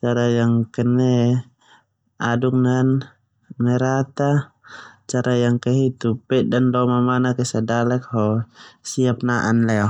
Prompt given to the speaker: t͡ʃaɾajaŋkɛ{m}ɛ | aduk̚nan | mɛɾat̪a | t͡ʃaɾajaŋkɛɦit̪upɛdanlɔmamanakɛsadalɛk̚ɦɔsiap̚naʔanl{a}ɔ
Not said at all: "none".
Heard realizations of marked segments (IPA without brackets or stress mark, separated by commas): n, ɛ